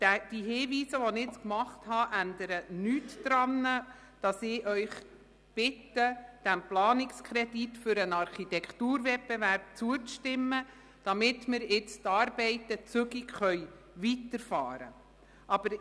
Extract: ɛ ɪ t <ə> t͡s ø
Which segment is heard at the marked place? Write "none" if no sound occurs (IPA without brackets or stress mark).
ə